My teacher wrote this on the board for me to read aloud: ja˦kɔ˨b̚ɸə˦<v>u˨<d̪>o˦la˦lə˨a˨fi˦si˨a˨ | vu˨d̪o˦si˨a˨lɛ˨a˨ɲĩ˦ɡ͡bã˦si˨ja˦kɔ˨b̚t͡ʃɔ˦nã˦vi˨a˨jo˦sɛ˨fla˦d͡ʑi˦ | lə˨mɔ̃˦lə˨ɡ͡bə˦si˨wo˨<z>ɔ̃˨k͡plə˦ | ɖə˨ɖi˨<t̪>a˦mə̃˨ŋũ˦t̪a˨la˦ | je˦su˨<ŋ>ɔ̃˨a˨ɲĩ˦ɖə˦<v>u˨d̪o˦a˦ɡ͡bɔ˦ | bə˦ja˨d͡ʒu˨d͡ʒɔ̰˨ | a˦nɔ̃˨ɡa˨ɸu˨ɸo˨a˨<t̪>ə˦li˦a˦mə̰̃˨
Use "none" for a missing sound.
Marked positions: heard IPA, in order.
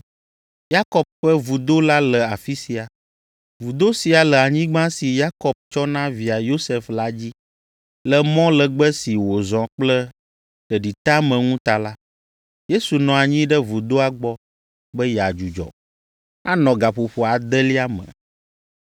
v, d̪, z, t̪, n, v, d̪

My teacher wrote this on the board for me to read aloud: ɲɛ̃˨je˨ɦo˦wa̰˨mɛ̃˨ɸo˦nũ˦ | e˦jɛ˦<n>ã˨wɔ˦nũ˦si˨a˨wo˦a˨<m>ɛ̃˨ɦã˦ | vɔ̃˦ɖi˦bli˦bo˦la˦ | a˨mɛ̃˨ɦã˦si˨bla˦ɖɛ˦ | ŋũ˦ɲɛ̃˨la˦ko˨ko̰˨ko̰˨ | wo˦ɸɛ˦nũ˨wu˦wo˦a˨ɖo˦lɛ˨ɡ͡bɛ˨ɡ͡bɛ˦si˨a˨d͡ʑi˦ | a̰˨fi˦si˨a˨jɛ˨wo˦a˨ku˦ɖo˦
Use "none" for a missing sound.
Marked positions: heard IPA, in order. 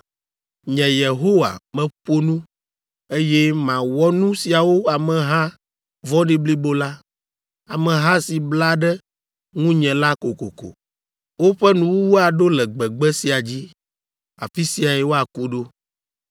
m, m

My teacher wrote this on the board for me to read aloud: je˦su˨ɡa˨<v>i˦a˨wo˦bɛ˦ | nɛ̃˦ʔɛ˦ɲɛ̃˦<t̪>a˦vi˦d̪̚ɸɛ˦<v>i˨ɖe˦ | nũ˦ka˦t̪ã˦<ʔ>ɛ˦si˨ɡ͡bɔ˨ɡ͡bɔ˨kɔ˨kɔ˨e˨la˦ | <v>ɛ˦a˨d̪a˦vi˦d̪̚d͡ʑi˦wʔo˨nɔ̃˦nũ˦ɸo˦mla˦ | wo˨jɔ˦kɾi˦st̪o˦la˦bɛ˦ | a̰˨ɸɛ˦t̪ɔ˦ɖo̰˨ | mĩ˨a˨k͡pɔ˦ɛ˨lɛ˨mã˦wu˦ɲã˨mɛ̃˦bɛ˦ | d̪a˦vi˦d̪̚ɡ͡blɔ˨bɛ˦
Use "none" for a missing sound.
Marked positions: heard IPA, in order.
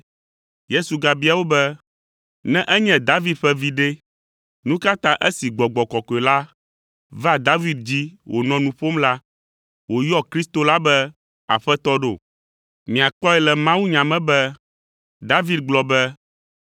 b, d̪, v, ʔ, v

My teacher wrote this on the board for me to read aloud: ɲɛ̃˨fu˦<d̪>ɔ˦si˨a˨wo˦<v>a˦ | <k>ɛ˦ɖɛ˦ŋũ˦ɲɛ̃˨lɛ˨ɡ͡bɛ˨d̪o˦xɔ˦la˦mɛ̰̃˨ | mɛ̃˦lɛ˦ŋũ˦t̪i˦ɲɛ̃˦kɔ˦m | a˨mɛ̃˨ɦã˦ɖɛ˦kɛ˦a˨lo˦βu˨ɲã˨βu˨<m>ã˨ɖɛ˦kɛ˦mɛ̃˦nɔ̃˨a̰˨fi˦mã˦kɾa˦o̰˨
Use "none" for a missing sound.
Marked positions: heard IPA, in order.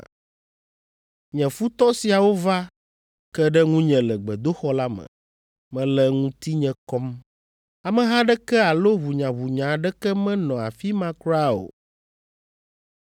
t̪, v, k, ɲ

